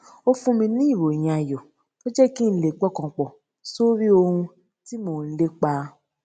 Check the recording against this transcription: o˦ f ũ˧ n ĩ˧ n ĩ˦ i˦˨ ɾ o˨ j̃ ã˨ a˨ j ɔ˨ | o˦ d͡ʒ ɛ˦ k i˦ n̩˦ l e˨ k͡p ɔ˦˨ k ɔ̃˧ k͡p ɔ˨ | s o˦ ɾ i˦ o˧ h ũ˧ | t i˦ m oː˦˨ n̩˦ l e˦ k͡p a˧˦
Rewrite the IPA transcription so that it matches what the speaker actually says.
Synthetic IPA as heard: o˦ f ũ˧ m ĩ˧ n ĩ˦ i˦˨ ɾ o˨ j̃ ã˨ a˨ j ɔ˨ | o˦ d͡ʒ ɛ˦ k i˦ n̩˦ l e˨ k͡p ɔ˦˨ k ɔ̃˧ k͡p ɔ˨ | s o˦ ɾ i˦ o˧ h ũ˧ | t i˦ m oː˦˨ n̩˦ l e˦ k͡p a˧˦